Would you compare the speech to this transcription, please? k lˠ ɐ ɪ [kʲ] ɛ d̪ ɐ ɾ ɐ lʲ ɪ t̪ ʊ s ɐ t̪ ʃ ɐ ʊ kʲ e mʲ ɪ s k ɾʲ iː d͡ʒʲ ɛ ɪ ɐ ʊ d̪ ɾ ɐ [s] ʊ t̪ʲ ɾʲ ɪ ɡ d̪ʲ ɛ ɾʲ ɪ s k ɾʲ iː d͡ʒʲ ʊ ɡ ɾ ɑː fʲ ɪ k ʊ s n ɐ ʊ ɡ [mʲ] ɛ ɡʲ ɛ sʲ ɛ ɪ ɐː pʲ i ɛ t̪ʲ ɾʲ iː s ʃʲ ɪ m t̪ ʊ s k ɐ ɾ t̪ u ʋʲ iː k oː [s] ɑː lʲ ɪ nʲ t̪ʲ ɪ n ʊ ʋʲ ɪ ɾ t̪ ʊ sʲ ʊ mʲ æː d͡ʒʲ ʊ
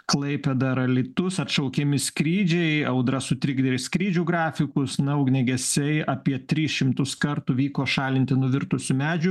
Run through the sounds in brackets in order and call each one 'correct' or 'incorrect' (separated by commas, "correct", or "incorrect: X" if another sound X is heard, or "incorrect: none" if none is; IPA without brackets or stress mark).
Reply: incorrect: pʲ, correct, incorrect: nʲ, incorrect: ʃ